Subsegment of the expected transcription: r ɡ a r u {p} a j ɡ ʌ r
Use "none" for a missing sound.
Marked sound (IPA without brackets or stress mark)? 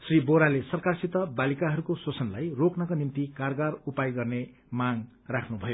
p